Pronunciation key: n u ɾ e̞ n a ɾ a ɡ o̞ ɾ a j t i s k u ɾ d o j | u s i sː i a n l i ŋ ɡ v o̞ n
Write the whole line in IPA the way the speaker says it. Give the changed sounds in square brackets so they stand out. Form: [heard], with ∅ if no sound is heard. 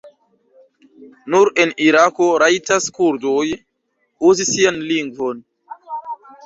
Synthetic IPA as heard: n u ɾ e̞ n [i] ɾ a [k] o̞ ɾ a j t [a] s k u ɾ d o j | u [z] i [s] i a n l i ŋ ɡ v o̞ n